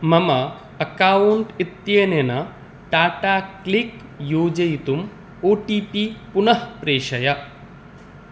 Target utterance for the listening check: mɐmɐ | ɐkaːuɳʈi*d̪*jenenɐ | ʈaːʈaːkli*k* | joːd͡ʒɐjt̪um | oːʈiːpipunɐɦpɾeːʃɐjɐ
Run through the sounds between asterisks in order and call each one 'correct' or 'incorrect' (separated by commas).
incorrect, correct